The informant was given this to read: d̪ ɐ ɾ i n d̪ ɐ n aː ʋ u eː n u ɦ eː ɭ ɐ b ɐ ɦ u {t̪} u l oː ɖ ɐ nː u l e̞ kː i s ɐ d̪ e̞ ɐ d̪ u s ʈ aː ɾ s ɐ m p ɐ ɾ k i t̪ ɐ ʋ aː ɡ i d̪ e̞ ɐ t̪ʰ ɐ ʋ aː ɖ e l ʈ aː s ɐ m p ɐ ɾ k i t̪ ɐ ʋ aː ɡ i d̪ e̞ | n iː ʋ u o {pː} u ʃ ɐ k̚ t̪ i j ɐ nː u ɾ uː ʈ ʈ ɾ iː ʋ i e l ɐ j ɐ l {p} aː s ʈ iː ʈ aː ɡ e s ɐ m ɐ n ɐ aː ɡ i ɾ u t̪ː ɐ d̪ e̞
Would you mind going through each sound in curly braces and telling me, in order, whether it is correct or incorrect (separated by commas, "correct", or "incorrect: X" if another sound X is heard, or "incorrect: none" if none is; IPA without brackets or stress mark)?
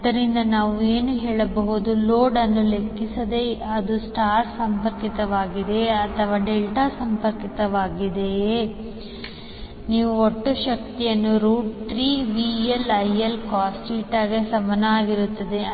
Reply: incorrect: d̪, incorrect: ʈː, incorrect: k